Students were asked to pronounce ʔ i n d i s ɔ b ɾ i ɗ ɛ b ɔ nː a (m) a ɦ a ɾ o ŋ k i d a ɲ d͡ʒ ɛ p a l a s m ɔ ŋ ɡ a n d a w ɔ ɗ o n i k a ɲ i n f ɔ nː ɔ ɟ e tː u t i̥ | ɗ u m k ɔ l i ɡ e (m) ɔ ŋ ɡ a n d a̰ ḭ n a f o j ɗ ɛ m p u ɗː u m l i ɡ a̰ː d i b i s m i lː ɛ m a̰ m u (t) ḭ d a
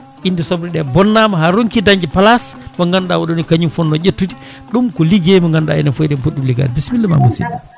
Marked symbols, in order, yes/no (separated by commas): yes, yes, no